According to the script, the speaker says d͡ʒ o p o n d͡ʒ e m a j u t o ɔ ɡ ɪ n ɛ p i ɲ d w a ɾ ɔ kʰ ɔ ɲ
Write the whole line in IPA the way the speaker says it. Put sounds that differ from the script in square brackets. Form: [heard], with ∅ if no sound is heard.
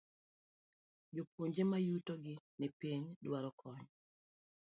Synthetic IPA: d͡ʒ o p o [ɲ] d͡ʒ e m a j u t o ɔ ɡ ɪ n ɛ p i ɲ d w a ɾ ɔ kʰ ɔ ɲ